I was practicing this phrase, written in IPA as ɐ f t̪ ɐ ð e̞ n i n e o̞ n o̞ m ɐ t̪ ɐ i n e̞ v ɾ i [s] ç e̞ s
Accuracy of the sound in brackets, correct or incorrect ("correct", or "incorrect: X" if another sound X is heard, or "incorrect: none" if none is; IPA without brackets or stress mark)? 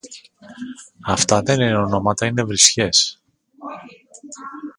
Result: correct